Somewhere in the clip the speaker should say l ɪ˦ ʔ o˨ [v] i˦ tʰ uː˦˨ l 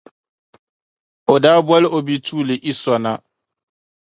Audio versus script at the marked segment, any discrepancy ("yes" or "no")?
yes